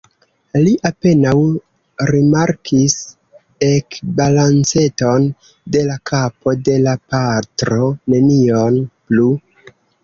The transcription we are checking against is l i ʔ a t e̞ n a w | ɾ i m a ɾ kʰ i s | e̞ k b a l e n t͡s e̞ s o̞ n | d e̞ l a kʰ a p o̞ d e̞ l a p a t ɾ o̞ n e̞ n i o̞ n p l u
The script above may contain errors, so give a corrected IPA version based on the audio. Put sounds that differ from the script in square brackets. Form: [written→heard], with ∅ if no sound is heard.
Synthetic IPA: l i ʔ a [t→p] e̞ n a w | ɾ i m a ɾ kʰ i s | e̞ k b a l [e→a] n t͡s e̞ [s→t] o̞ n | d e̞ l a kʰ a p o̞ d e̞ l a p a t ɾ o̞ n e̞ n i o̞ n p l u